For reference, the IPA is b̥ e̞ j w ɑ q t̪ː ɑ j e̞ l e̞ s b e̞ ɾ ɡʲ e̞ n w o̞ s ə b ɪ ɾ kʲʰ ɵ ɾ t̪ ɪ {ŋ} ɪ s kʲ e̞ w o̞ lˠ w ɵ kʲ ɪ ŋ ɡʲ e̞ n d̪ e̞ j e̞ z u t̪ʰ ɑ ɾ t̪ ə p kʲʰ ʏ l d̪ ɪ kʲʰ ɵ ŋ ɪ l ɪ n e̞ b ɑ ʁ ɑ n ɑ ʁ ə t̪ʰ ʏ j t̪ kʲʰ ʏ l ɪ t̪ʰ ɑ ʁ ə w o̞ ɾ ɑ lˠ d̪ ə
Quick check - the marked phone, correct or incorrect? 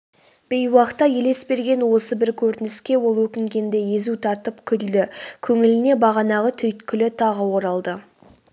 incorrect